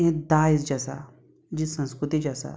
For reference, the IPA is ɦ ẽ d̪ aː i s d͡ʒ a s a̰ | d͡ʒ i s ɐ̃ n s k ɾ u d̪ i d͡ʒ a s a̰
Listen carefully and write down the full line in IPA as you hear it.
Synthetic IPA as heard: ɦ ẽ d̪ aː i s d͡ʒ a s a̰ | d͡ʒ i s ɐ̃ n s k ɾ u t̪ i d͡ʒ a s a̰